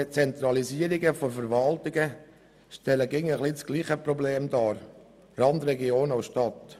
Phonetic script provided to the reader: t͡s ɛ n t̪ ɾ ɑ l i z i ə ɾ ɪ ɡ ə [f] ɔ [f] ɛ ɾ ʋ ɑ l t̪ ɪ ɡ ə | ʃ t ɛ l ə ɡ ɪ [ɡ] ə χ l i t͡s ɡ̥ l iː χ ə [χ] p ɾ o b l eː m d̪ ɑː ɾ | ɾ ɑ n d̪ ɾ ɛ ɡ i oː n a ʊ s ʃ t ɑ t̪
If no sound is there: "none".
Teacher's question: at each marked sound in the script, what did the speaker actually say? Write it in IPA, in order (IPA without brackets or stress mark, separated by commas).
f, f, ŋ, none